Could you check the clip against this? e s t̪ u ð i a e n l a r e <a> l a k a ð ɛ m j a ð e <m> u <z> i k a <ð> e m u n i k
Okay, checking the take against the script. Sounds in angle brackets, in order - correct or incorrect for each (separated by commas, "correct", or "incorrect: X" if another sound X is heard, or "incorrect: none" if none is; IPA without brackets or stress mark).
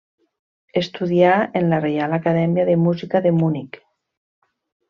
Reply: correct, correct, correct, correct